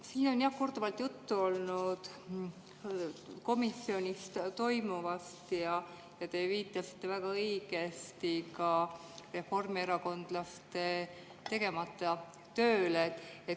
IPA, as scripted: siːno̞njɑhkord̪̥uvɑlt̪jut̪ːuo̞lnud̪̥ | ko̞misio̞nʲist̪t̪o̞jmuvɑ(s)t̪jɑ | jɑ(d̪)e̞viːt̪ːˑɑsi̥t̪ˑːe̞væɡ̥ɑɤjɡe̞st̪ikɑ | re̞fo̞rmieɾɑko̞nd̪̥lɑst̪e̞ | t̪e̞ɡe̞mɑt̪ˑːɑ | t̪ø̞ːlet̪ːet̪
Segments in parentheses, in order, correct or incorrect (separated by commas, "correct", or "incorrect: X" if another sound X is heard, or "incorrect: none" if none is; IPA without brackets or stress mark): correct, incorrect: t̪